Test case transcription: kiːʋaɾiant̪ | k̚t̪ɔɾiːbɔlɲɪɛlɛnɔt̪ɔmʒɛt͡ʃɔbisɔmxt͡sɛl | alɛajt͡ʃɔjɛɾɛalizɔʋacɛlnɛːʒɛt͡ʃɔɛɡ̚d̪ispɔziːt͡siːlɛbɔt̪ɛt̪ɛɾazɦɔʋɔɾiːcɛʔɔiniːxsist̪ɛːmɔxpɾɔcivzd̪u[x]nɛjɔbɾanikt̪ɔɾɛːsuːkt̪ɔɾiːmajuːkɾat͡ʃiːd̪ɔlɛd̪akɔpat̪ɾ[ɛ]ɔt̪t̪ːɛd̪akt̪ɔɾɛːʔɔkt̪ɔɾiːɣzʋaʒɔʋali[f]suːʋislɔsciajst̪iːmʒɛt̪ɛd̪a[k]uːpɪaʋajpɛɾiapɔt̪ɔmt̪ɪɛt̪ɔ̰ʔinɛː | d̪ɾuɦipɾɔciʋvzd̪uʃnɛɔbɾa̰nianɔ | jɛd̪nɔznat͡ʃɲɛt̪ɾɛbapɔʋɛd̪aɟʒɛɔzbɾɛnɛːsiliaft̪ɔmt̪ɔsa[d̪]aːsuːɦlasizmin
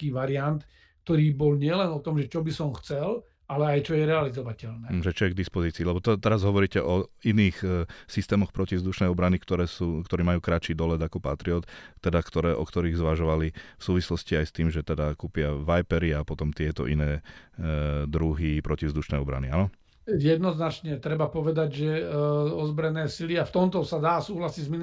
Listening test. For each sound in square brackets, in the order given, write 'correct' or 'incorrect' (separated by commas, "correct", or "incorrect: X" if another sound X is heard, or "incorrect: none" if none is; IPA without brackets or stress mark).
incorrect: ʃ, incorrect: i, correct, correct, correct